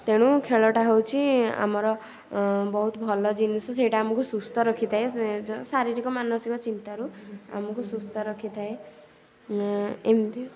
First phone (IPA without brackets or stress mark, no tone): t̪